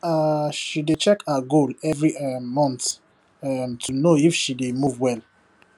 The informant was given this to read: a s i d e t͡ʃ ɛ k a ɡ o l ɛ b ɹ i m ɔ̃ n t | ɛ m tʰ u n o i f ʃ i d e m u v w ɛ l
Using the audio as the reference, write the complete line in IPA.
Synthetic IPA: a ʃ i d e t͡ʃ ɛ k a ɡ o l ɛ v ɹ i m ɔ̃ n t | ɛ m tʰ u n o i f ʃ i d e m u v w ɛ l